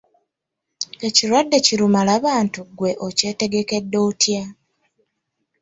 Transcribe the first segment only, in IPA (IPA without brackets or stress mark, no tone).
e̞